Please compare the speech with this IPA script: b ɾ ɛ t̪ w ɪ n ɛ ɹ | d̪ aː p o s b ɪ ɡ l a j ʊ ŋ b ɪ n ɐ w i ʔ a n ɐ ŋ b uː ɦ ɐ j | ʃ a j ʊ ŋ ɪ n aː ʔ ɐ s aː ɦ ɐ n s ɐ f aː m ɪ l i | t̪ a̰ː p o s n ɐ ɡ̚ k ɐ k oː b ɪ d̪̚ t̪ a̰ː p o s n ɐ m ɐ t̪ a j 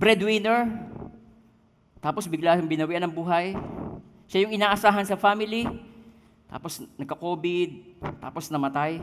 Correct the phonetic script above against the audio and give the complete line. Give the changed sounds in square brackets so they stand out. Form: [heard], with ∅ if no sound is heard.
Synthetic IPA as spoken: b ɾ ɛ [d̪] w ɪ n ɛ ɹ | [t̪] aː p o s b ɪ ɡ l a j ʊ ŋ b ɪ n ɐ w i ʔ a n ɐ ŋ b uː ɦ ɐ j | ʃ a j ʊ ŋ ɪ n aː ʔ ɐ s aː ɦ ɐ n s ɐ f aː m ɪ l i | t̪ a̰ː p o s n ɐ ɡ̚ k ɐ k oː b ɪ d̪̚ t̪ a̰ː p o s n ɐ m ɐ t̪ a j